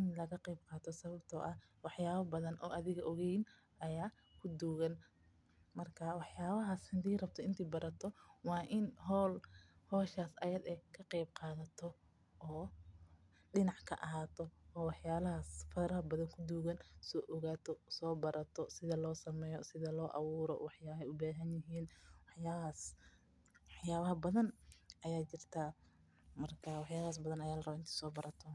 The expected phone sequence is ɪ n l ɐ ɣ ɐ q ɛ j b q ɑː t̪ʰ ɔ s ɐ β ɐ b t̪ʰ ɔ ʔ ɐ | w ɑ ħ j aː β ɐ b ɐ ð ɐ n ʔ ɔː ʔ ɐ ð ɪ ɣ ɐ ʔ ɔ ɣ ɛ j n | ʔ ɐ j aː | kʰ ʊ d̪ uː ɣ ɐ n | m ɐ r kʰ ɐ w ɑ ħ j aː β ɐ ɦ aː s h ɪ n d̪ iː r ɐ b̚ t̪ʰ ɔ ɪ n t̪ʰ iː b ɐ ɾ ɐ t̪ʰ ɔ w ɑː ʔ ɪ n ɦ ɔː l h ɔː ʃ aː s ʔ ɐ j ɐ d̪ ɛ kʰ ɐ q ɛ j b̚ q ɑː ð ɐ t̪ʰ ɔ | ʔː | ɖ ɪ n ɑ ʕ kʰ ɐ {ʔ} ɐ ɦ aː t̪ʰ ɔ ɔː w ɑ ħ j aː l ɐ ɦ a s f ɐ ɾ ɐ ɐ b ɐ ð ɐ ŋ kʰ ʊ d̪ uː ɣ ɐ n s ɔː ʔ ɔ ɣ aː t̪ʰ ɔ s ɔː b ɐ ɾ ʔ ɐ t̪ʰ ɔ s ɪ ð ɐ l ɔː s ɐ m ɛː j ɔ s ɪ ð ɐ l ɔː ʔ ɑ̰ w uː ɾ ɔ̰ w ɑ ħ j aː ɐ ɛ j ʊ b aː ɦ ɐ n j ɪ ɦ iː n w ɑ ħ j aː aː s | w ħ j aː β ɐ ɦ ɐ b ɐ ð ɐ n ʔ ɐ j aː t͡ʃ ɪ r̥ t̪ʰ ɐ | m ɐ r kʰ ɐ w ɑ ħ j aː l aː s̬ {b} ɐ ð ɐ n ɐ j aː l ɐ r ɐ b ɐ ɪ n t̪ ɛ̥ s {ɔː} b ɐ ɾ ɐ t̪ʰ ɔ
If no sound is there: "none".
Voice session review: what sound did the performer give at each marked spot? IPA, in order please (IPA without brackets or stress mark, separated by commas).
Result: ʔ, b, ɔː